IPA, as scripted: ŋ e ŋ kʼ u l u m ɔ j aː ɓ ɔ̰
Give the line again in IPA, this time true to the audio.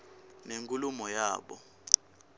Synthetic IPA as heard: n e ŋ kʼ u l u m ɔ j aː ɓ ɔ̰